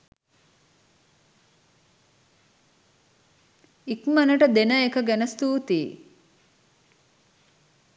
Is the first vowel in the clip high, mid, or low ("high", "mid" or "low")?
high